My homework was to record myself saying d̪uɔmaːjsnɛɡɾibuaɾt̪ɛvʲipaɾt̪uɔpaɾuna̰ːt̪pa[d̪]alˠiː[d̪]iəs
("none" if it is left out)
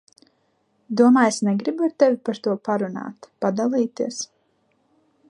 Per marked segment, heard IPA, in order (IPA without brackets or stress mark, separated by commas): d̪, t̪